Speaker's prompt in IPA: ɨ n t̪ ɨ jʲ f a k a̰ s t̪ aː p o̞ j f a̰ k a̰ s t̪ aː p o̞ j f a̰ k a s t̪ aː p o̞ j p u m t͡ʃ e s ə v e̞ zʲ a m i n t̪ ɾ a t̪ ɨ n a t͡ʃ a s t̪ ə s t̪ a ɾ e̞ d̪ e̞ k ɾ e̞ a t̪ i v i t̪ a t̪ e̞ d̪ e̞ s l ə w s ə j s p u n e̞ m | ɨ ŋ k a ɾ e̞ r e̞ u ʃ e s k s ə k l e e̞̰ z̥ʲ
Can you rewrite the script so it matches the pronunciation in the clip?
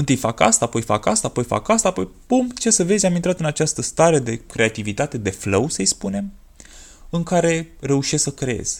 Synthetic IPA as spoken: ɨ n t̪ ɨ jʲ f a k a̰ s t̪ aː p o̞ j f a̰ k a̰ s t̪ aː p o̞ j f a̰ k a s t̪ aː p o̞ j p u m t͡ʃ e s ə v e̞ zʲ a m i n t̪ ɾ a t̪ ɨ n a t͡ʃ a s t̪ ə s t̪ a ɾ e̞ d̪ e̞ k ɾ e̞ a t̪ i v i t̪ a t̪ e̞ d̪ e̞ f l ə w s ə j s p u n e̞ m | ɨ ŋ k a ɾ e̞ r e̞ u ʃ e s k s ə k ɾ e e̞̰ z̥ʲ